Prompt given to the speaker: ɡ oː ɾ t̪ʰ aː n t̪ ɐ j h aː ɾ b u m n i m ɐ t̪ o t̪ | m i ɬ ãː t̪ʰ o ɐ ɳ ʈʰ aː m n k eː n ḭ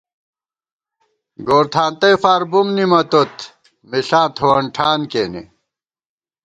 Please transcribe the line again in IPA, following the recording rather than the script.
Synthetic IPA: ɡ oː ɾ t̪ʰ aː n t̪ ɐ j f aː ɾ b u m n i m ɐ t̪ o t̪ | m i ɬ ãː t̪ʰ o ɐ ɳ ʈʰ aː n k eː n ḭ